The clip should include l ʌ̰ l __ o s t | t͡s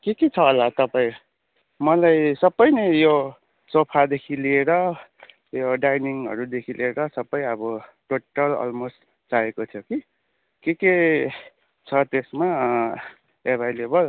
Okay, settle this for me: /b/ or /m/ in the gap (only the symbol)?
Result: m